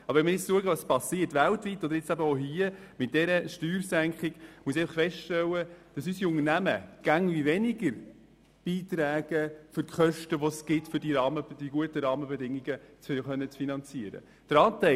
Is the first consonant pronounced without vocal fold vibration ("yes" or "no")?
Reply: no